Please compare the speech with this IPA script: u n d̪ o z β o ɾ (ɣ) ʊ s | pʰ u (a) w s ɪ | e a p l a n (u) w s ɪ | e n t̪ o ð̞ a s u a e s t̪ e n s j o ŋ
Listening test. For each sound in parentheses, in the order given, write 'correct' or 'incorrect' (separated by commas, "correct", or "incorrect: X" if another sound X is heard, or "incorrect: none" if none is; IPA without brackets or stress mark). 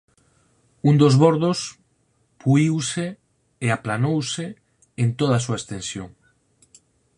incorrect: ð, incorrect: i, incorrect: o